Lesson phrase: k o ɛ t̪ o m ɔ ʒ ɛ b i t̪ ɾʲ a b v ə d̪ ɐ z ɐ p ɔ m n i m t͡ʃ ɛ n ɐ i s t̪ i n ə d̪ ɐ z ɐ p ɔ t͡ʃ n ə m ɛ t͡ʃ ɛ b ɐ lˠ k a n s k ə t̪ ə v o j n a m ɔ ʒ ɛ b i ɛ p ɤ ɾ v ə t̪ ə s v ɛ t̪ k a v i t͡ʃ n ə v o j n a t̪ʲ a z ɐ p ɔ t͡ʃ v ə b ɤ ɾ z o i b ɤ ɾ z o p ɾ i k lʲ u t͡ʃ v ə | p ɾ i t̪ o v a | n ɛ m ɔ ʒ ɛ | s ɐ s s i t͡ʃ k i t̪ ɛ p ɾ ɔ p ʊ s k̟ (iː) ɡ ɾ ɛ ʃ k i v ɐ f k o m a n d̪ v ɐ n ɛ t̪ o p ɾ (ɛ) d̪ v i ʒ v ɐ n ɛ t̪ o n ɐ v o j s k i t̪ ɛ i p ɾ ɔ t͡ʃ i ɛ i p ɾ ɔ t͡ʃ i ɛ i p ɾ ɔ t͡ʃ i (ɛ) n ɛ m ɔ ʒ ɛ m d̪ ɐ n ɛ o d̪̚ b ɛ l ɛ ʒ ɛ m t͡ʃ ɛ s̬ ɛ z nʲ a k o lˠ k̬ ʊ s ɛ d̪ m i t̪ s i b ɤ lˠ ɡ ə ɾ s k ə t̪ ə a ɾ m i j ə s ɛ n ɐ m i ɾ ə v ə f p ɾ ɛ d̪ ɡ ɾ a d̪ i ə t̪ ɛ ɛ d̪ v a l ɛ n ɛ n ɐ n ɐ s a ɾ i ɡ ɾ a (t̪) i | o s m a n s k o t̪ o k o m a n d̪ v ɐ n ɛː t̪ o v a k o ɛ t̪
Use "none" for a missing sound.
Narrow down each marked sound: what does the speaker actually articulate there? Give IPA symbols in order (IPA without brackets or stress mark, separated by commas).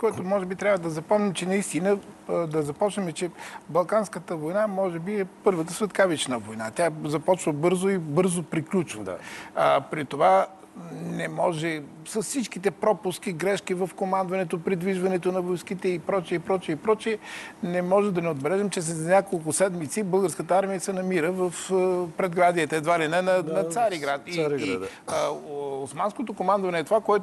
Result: i, i, ɛ, t̪